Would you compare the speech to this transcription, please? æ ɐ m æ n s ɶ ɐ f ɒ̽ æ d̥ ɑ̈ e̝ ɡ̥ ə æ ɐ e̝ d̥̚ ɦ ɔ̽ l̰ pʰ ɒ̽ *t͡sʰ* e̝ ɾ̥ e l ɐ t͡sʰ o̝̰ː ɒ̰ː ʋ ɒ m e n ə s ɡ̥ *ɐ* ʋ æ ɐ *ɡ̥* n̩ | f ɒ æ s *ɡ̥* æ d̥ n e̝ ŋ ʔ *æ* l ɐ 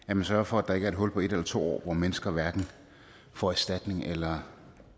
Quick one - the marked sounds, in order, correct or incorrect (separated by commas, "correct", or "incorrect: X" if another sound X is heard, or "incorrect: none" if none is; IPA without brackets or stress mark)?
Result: incorrect: none, correct, correct, incorrect: d̥, incorrect: e